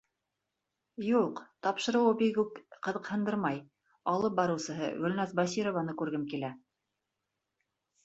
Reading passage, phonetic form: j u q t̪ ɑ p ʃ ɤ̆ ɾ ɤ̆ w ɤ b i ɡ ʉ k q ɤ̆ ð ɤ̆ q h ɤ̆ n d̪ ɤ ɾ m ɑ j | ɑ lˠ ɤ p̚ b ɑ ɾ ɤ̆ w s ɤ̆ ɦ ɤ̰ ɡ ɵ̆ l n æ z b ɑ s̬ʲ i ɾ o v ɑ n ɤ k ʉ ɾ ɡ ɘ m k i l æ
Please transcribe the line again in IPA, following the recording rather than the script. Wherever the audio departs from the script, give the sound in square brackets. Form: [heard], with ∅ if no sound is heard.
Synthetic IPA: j u q t̪ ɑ p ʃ ɤ̆ ɾ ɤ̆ w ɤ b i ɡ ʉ k q ɤ̆ ð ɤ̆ q h ɤ̆ n d̪ ɤ ɾ m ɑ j | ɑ lˠ ɤ p̚ b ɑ ɾ ɤ̆ w s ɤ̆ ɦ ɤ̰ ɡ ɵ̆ l n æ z b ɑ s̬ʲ i ɾ o v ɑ n ɤ k ʉ ɾ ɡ ɘ m k i l æ